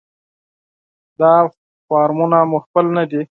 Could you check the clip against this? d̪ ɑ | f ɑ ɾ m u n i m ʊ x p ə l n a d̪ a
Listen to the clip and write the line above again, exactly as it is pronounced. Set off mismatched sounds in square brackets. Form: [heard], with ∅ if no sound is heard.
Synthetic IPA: d̪ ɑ | f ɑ ɾ m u n [a] m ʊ x p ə l n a d̪ [i]